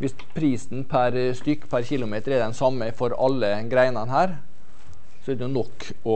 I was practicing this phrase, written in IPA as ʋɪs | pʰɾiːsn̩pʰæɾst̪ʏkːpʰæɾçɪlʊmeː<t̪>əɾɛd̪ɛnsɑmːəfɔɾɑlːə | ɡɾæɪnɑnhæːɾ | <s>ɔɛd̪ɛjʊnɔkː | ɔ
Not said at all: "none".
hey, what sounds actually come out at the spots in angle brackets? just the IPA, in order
t̪, s

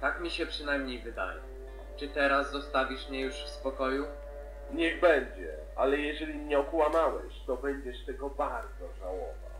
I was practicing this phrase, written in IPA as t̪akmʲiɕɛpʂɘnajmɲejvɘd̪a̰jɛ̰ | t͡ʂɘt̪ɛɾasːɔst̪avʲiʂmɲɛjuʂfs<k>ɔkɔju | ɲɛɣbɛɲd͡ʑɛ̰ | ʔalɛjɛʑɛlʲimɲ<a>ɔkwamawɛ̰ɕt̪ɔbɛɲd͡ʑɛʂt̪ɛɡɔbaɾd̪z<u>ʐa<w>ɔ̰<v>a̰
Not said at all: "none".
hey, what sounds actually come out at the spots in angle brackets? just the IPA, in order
p, ɛ, ɔ, w, v

